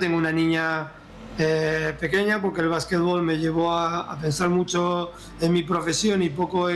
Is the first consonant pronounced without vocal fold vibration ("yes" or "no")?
yes